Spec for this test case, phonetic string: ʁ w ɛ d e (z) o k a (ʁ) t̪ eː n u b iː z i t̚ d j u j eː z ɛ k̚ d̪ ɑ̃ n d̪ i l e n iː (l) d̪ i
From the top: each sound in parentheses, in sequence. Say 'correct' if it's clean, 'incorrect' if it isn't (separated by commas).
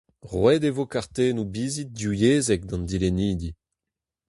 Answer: incorrect, correct, incorrect